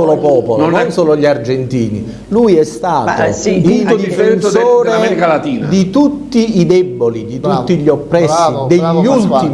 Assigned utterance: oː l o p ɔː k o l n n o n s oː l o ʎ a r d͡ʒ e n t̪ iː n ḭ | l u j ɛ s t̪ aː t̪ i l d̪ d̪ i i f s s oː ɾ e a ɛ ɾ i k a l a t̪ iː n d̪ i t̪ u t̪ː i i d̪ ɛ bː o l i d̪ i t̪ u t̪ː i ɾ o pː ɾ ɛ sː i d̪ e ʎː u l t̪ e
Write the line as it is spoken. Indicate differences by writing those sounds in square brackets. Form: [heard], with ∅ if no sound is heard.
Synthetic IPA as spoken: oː l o p ɔː [p] o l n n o n s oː l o ʎ a r d͡ʒ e n t̪ iː n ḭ | l u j ɛ s t̪ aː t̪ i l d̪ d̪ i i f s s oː ɾ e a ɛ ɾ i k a l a t̪ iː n d̪ i t̪ u t̪ː i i d̪ ɛ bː o l i d̪ i t̪ u t̪ː i [ʎ] o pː ɾ ɛ sː i d̪ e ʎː u l t̪ [i]

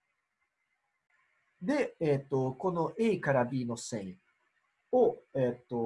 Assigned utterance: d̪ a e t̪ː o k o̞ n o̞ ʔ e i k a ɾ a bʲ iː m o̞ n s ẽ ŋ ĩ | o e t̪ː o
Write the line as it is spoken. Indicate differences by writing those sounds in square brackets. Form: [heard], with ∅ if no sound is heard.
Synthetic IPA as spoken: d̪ [e] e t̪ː o k o̞ n o̞ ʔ e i k a ɾ a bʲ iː [n] o̞ [∅] s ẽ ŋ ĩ | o e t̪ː o

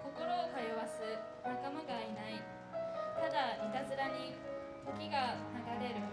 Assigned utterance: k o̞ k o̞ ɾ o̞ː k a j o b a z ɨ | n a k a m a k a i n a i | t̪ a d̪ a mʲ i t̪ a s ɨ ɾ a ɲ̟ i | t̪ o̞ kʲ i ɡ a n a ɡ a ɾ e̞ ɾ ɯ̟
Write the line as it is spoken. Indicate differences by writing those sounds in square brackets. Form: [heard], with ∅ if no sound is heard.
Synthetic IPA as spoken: k o̞ k o̞ ɾ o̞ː k a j o [β] a [s] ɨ | n a k a m a [ɡ] a i n a i | t̪ a d̪ a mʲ i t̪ a [z] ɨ ɾ a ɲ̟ i | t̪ o̞ kʲ i ɡ a n a ɡ a ɾ e̞ ɾ ɯ̟

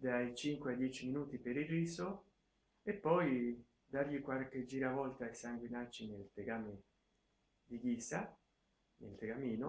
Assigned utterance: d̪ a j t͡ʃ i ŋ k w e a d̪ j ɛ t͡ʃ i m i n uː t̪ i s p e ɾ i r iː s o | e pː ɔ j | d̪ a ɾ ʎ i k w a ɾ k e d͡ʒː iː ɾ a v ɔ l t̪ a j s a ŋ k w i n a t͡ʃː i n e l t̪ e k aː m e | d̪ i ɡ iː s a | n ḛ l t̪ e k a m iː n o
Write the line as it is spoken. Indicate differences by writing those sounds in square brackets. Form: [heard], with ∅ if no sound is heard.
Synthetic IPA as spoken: d̪ a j t͡ʃ i ŋ k w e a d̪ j ɛ t͡ʃ i m i n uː t̪ i [∅] p e ɾ i r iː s o | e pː ɔ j | d̪ a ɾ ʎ i k w a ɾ k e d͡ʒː iː ɾ a v ɔ l t̪ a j s a ŋ [ɡ] w i n a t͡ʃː i n e l t̪ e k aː m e | d̪ i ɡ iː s a | n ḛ l t̪ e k a m iː n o

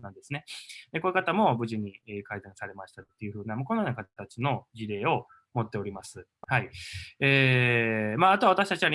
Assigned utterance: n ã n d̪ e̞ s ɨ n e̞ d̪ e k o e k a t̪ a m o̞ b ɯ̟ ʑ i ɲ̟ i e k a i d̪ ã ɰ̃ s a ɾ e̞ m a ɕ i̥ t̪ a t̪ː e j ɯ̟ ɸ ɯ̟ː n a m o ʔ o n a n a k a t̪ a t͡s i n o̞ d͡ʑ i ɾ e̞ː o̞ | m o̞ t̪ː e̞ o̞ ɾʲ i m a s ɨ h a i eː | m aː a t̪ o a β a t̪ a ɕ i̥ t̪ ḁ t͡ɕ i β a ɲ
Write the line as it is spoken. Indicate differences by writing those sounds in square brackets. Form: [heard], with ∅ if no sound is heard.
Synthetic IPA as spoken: n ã n d̪ e̞ s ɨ n e̞ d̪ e k o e k a t̪ a m o̞ b ɯ̟ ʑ i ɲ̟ i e k a i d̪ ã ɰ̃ s a ɾ e̞ m a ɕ i̥ t̪ a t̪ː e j ɯ̟ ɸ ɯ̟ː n a m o [k] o n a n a k a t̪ a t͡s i n o̞ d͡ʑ i ɾ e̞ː o̞ | m o̞ t̪ː e̞ o̞ ɾʲ i m a s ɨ h a i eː | m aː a t̪ o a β a t̪ a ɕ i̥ t̪ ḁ t͡ɕ i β a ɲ

